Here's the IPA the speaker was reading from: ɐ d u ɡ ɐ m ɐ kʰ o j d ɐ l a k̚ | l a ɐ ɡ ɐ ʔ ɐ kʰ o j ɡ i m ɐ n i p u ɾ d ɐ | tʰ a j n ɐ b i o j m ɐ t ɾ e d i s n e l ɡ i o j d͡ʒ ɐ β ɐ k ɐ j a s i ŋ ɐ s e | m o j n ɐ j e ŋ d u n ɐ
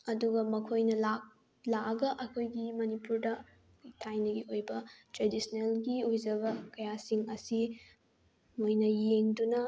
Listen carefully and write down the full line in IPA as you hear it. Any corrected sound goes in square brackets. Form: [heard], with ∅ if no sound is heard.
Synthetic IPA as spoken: ɐ d u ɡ ɐ m ɐ kʰ o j [n] ɐ l a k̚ | l a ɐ ɡ ɐ ʔ ɐ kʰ o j ɡ i m ɐ n i p u ɾ d ɐ | tʰ a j n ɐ [ɡ] i o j [b] ɐ t ɾ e d i s n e l ɡ i o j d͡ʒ ɐ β ɐ k ɐ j a s i ŋ ɐ s [i] | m o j n ɐ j e ŋ d u n ɐ